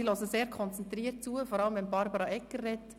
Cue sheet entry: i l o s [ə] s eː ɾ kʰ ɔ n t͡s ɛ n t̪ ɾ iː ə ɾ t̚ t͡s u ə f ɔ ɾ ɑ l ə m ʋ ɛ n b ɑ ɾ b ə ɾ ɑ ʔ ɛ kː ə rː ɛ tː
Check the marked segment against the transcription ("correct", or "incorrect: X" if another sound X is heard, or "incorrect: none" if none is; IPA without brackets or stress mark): correct